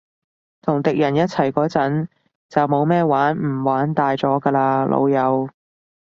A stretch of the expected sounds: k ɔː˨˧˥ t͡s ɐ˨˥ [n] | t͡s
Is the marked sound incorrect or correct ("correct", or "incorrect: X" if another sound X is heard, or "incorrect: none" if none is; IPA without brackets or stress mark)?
correct